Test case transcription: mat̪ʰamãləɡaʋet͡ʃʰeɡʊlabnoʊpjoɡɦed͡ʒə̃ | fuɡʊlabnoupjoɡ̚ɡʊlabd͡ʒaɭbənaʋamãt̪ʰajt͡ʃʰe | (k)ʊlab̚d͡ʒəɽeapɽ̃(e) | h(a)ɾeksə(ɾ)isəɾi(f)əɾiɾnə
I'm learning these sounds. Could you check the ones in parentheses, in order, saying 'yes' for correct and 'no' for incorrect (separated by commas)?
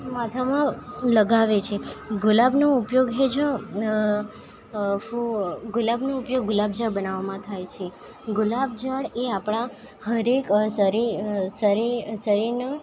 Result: no, no, no, yes, no